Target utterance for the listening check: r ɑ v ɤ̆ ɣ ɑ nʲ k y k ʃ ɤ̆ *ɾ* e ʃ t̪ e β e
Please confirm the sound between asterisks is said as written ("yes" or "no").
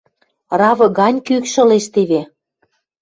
no